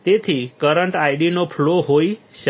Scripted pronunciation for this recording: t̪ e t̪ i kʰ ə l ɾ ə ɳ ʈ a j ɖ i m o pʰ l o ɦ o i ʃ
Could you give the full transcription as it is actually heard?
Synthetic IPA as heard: t̪ e t̪ʰ i k ə ɾ ə ɳ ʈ a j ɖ i n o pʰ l o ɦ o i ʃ